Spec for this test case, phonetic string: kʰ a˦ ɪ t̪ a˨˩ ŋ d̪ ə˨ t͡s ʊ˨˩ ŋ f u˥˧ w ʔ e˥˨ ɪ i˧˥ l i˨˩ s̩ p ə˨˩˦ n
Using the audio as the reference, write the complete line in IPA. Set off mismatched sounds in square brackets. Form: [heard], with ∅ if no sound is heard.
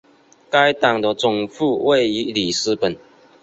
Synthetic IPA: [k] a˦ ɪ t̪ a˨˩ ŋ d̪ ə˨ t͡s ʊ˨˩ ŋ f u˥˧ w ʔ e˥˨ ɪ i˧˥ l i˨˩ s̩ p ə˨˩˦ n